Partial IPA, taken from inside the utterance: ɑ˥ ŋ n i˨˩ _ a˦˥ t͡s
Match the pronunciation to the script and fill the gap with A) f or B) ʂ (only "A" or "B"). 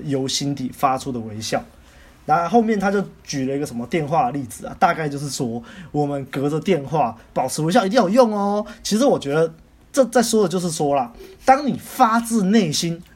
A